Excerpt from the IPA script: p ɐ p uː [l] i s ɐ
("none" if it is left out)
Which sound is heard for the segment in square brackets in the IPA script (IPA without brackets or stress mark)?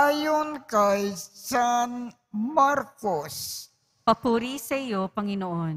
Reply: ɾ